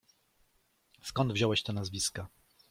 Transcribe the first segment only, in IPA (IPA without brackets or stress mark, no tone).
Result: s